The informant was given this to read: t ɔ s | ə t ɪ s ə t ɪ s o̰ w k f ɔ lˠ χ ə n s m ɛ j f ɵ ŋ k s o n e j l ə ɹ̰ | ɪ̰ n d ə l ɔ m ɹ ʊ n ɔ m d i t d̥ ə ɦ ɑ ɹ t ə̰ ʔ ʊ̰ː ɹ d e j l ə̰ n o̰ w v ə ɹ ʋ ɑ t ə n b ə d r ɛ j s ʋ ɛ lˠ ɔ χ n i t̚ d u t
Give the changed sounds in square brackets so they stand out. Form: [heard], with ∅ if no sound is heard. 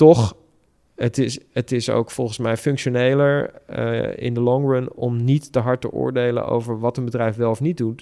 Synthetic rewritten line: t ɔ [χ] | ə t ɪ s ə t ɪ s o̰ w k f ɔ lˠ χ ə n s m ɛ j f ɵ ŋ k [ʃ] o n e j l ə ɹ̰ | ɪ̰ n d ə l ɔ [ŋ] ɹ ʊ n ɔ m [n] i t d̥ ə ɦ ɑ ɹ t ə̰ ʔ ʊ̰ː ɹ d e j l ə̰ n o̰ w v ə ɹ ʋ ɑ t ə n b ə d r ɛ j [f] ʋ ɛ lˠ ɔ [f] n i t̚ d u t